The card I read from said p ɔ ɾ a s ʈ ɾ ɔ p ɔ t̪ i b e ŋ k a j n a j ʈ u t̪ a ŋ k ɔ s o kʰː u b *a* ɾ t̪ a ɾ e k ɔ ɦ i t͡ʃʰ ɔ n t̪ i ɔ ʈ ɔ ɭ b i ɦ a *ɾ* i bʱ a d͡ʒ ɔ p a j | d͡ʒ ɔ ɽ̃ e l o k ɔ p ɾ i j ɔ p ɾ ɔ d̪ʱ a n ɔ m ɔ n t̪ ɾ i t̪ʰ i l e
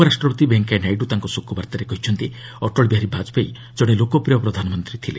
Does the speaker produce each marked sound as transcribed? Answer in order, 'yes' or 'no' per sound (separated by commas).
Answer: yes, yes